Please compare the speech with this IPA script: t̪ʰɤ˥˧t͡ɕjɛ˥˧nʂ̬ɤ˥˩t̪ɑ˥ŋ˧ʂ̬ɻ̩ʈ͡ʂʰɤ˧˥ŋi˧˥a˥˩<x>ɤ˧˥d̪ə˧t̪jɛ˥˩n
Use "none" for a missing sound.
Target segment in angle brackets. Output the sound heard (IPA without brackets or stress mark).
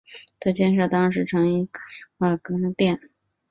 k